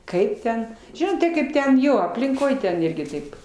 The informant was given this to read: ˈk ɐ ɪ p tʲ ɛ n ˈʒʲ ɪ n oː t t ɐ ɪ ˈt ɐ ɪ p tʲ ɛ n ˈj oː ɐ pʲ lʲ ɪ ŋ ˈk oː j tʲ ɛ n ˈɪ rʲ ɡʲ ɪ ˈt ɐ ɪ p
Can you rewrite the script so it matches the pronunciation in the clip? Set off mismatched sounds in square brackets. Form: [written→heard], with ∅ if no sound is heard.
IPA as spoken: ˈk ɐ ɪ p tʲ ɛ n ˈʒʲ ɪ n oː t t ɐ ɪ [ˈt→ˈk] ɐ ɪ p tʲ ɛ n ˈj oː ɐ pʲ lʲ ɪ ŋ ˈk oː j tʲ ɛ n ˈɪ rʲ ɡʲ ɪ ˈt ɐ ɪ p